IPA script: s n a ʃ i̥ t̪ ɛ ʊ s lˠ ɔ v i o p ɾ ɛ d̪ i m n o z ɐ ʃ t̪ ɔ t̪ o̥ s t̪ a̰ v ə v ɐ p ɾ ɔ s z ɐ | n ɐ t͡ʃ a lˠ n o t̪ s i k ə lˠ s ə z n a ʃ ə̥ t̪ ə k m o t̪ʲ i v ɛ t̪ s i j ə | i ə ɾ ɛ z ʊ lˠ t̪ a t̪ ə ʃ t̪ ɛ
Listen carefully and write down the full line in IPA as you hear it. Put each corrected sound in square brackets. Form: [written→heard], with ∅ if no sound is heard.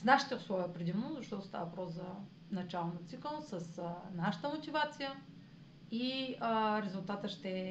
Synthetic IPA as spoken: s n a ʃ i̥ t̪ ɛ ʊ s lˠ ɔ v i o p ɾ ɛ d̪ i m n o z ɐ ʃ t̪ ɔ t̪ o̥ s t̪ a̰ v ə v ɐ p ɾ ɔ s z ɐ | n ɐ t͡ʃ a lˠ n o t̪ s i k ə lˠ s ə [z→s] n a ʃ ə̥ t̪ ə [k→∅] m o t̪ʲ i v [ɛ→a] t̪ s i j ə | i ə ɾ ɛ z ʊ lˠ t̪ a t̪ ə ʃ t̪ ɛ